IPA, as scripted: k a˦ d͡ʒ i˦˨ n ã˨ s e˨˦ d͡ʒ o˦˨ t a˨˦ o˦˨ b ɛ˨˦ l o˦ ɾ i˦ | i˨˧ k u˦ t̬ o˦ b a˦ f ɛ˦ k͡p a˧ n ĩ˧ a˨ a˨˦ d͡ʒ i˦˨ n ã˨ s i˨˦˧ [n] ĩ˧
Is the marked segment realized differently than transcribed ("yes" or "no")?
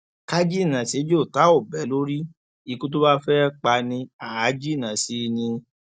no